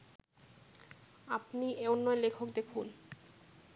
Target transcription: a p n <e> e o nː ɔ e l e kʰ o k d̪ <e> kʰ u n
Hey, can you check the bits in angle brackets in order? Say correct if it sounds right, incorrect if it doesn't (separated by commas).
incorrect, correct